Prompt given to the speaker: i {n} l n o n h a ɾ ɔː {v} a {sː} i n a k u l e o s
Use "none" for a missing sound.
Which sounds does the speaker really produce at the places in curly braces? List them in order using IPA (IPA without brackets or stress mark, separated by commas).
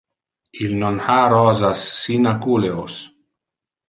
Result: none, z, sː